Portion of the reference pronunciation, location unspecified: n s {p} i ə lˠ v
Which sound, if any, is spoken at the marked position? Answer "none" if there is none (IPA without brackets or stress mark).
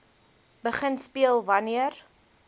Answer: p